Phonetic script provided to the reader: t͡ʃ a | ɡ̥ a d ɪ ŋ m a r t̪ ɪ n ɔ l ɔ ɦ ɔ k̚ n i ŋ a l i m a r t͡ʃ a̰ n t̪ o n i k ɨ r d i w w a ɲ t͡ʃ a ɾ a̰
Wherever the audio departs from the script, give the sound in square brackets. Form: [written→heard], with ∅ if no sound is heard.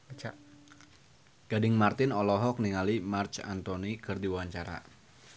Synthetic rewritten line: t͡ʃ a | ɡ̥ a d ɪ ŋ m a r t̪ ɪ n ɔ l ɔ ɦ ɔ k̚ n i ŋ a l i m a r t͡ʃ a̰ n t̪ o n i k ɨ r d i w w a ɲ t͡ʃ a ɾ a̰

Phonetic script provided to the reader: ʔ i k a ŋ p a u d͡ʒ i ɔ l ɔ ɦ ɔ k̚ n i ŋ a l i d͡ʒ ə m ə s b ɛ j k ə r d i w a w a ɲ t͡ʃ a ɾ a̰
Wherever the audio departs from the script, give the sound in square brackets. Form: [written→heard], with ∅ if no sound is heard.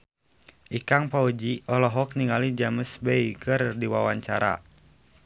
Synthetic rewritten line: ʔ i k a ŋ p a u d͡ʒ i ɔ l ɔ ɦ ɔ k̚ n i ŋ a l i d͡ʒ [ə→a] m ə s b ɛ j k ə r d i w a w a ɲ t͡ʃ a ɾ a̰

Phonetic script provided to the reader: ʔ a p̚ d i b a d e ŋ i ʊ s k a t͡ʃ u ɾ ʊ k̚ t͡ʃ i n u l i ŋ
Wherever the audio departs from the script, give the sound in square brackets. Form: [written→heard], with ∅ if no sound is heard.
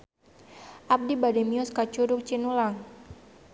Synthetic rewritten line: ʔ a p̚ d i b a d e [ŋ→m] i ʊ s k a t͡ʃ u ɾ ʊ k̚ t͡ʃ i n u l [i→a] ŋ

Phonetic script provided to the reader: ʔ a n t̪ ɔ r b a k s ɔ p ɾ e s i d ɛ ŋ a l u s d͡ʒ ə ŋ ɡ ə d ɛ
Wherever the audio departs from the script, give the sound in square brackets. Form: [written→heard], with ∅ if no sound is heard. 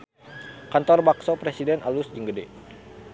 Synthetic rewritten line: [ʔ→k] a n t̪ ɔ r b a k s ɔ p ɾ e s i d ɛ [ŋ→n] a l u s d͡ʒ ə ŋ ɡ ə d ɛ

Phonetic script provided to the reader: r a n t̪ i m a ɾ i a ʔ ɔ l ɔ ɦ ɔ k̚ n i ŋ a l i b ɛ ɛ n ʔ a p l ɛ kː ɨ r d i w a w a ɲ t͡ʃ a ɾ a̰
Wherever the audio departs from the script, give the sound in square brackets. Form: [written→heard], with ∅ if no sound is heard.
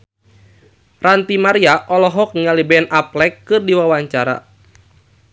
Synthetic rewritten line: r a n t̪ i m a ɾ i a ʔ ɔ l ɔ ɦ ɔ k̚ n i ŋ a l i b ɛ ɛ n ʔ a p l ɛ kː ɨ r d i w a w a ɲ t͡ʃ a ɾ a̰

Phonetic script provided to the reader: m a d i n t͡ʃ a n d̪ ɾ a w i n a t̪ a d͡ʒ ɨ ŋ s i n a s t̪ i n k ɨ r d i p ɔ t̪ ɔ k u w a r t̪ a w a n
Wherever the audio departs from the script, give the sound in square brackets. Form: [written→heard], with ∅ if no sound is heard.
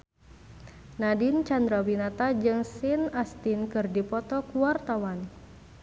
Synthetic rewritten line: [m→n] a d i n t͡ʃ a n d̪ ɾ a w i n a t̪ a d͡ʒ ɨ ŋ s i n a s t̪ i n k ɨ r d i p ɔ t̪ ɔ k u w a r t̪ a w a n

